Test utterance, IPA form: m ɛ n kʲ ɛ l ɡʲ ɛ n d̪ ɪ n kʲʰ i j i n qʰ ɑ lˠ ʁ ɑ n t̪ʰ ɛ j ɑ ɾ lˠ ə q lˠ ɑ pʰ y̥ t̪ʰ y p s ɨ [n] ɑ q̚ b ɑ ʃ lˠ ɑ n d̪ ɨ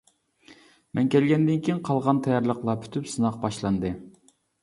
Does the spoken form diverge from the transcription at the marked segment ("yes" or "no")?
no